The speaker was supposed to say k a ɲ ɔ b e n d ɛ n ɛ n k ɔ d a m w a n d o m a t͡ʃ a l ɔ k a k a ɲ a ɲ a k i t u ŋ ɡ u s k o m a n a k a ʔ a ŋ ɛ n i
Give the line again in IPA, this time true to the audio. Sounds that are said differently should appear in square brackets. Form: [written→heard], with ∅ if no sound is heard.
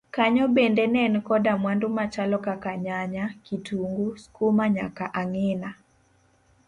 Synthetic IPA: k a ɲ ɔ b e n d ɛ n ɛ n k ɔ d a m w a n d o m a t͡ʃ a l ɔ k a k a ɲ a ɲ a k i t u ŋ ɡ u s k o m a [n→ɲ] a k a ʔ a ŋ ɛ n [i→a]